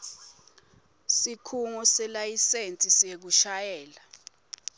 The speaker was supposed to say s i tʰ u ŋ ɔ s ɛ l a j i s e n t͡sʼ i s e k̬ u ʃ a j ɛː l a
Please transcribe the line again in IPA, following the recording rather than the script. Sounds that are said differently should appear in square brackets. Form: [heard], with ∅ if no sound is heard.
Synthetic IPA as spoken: s i [kʰ] u ŋ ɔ s ɛ l a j i s e n t͡sʼ i s e k̬ u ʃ a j ɛː l a